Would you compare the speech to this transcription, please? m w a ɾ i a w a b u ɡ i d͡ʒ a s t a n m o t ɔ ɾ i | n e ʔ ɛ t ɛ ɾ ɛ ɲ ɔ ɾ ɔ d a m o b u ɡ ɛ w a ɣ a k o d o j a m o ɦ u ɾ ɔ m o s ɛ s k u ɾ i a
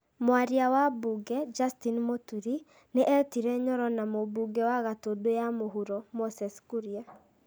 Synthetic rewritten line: m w a ɾ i a w a b u ɡ ɛ d͡ʒ a s t i n m o t u ɾ i | n e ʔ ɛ t i ɾ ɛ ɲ ɔ ɾ ɔ n a m o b u ɡ ɛ w a ɣ a t o d o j a m o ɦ u ɾ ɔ m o s ɛ s k u ɾ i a